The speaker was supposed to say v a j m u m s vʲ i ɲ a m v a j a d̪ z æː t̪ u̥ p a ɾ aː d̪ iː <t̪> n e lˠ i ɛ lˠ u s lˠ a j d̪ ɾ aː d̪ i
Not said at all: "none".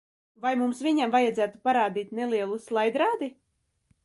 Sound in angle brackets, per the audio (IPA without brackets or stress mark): t̪